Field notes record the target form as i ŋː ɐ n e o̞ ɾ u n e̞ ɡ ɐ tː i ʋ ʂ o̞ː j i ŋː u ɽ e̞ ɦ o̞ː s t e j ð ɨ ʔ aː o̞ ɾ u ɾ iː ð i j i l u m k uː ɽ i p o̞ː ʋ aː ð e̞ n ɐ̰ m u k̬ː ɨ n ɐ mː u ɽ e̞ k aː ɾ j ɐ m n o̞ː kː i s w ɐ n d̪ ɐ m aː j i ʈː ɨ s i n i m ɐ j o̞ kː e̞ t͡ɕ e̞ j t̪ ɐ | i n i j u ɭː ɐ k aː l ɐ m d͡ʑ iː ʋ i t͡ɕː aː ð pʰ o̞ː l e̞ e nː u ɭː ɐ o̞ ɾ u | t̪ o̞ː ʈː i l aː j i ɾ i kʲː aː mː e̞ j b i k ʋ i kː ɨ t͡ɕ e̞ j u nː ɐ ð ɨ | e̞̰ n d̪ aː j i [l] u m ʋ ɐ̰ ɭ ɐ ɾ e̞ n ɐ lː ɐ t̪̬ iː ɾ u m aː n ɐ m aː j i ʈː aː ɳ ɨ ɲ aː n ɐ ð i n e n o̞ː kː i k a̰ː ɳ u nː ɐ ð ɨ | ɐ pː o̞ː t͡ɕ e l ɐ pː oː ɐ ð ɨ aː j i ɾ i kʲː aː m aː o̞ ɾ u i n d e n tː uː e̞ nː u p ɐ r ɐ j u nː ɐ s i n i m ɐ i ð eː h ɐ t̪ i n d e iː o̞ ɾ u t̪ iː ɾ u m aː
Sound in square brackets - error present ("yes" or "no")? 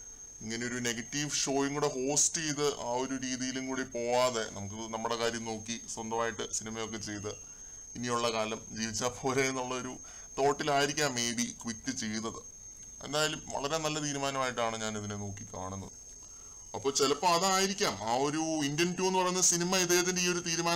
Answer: no